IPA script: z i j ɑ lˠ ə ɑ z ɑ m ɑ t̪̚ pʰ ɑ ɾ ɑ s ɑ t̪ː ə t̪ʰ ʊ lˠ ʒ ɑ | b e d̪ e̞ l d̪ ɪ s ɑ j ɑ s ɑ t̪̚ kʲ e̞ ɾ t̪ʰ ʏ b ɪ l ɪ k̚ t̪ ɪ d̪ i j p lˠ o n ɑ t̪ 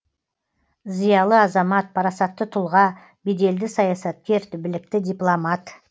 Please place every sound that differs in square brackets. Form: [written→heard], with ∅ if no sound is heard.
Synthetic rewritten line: z i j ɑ lˠ ə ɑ z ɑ m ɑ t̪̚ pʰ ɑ ɾ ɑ s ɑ t̪ː ə t̪ʰ ʊ lˠ [ʒ→ʁ] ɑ | b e d̪ e̞ l d̪ ɪ s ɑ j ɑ s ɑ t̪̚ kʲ e̞ ɾ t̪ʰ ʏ b ɪ l ɪ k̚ t̪ ɪ d̪ i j p lˠ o [n→m] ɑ t̪